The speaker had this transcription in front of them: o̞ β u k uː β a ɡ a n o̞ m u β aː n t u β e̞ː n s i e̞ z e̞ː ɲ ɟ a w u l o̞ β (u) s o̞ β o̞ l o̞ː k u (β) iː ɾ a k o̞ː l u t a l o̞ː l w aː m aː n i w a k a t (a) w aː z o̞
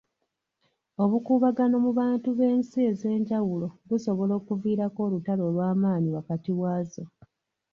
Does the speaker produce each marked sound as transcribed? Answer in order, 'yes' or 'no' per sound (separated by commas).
yes, no, no